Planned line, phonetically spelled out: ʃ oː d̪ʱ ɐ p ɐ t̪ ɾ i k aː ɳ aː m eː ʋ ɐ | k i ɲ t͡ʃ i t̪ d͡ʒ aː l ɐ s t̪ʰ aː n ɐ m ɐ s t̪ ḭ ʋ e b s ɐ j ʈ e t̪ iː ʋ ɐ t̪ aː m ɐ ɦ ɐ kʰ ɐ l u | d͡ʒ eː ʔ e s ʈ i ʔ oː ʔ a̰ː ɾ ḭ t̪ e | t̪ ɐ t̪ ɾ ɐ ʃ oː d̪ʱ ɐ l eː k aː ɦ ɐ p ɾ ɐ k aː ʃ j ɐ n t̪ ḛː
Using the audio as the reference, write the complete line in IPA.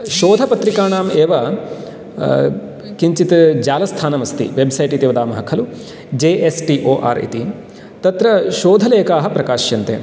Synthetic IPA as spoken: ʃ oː d̪ʱ ɐ p ɐ t̪ ɾ i k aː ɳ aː m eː ʋ ɐ | k i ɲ t͡ʃ i t̪ d͡ʒ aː l ɐ s t̪ʰ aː n ɐ m ɐ s t̪ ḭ ʋ e b s ɐ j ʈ i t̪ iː ʋ ɐ d̪ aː m ɐ ɦ ɐ kʰ ɐ l u | d͡ʒ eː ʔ e s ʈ i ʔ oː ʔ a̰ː ɾ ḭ t̪ i | t̪ ɐ t̪ ɾ ɐ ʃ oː d̪ʱ ɐ l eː k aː ɦ ɐ p ɾ ɐ k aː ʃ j ɐ n t̪ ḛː